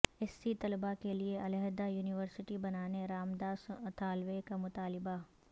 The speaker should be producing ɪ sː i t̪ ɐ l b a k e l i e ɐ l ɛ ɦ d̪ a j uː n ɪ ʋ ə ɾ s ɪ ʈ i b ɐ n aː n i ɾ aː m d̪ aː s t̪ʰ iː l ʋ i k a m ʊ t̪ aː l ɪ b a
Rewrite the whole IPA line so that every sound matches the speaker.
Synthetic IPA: ɪ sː i t̪ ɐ l b a k e l i e ɐ l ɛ ɦ d̪ a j uː n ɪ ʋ ə ɾ s ɪ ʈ i b ɐ n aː n e ɾ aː m d̪ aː s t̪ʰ aː l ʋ e k a m ʊ t̪ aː l ɪ b a